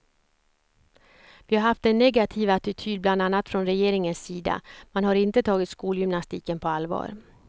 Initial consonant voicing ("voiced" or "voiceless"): voiced